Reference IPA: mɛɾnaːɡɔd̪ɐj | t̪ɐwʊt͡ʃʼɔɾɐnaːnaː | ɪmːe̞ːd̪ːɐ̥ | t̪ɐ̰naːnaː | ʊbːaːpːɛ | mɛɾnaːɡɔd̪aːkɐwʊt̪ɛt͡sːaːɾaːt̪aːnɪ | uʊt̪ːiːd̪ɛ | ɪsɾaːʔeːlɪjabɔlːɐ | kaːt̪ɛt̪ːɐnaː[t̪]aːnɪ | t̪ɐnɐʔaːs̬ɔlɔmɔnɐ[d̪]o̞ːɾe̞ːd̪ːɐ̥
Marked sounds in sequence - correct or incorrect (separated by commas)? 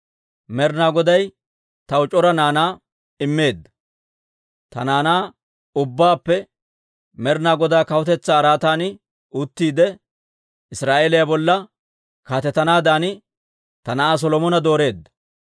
incorrect, correct